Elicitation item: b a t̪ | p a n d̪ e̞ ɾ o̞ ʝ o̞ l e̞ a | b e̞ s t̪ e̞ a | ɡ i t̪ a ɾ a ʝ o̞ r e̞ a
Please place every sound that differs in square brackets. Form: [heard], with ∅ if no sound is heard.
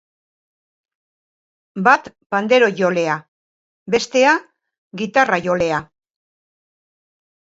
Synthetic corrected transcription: b a t̪ | p a n d̪ e̞ ɾ o̞ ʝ o̞ l e̞ a | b e̞ s t̪ e̞ a | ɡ i t̪ a [r] a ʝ o̞ [l] e̞ a